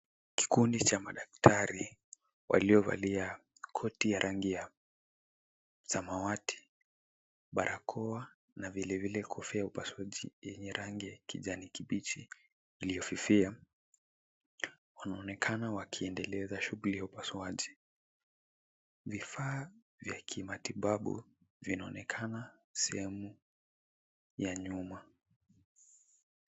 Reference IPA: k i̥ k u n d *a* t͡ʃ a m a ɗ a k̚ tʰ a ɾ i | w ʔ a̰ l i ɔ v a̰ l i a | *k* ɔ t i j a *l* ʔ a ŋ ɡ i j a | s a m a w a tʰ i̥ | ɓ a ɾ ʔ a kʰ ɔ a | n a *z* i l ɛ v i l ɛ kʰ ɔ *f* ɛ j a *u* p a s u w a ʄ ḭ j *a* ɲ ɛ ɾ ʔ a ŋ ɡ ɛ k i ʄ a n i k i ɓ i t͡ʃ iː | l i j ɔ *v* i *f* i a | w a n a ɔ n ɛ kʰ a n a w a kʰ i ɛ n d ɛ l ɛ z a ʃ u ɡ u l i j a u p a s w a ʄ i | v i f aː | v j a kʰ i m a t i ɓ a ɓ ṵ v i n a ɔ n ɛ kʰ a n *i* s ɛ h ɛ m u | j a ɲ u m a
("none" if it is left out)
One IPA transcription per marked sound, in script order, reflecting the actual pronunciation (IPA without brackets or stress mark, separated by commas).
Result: i, kʰ, ɾ, v, f, u, ɛ, f, f, a